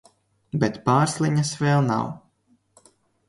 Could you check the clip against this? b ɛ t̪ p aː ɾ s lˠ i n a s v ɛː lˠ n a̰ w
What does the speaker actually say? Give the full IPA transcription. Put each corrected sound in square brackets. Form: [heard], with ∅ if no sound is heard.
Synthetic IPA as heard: b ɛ t̪ p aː ɾ s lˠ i [ɲ] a s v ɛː lˠ n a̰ w